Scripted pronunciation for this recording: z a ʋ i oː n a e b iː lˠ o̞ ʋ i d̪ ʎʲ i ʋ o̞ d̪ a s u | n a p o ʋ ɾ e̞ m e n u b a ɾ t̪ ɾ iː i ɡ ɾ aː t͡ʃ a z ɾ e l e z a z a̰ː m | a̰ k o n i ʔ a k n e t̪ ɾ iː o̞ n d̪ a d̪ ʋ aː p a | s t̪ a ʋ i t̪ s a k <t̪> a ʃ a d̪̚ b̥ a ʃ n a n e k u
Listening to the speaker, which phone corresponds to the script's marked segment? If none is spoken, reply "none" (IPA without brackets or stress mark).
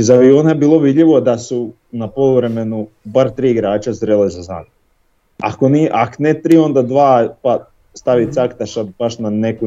t̪